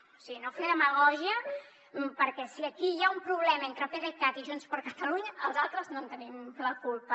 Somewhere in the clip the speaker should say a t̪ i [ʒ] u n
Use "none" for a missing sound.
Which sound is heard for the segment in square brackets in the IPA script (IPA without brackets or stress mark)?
ʒ